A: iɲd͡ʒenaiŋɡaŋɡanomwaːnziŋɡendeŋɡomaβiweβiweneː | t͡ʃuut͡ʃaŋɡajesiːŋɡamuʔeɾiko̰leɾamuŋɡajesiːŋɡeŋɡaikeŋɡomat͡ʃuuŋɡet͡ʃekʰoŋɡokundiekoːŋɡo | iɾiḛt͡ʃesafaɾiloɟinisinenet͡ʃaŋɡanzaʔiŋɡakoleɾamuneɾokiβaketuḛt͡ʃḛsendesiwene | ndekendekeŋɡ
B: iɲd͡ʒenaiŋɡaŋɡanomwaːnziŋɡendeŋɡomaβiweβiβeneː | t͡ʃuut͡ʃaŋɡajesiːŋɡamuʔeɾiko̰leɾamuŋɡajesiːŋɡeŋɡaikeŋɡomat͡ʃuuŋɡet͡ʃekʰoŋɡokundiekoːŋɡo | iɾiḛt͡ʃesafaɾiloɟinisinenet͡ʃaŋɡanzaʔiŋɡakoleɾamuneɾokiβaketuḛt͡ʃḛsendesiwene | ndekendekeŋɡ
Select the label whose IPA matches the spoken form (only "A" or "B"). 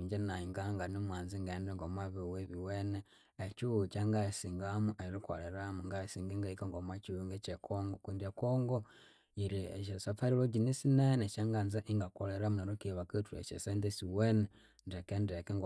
A